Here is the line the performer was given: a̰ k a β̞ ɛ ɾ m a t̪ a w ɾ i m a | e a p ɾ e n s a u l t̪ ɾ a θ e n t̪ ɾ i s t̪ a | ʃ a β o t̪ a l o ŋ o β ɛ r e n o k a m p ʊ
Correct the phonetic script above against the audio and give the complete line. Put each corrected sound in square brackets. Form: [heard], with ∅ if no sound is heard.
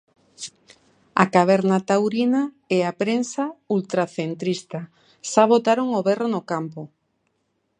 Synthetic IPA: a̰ k a β̞ ɛ ɾ [n] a t̪ a w ɾ i [n] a | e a p ɾ e n s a u l t̪ ɾ a θ e n t̪ ɾ i s t̪ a | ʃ a β o t̪ a [ɾ] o ŋ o β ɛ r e n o k a m p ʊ